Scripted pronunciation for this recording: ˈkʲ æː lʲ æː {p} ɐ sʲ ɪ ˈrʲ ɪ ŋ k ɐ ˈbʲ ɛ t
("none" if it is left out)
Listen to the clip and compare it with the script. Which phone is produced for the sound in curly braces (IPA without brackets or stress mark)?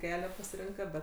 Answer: p